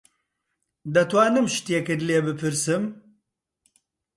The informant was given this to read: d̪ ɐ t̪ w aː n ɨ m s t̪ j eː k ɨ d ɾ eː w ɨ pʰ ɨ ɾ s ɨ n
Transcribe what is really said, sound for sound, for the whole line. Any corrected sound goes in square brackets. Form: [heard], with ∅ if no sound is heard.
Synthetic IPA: d̪ ɐ t̪ w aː n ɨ m [ʃ] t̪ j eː k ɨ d [l] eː [b] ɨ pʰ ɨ ɾ s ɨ [m]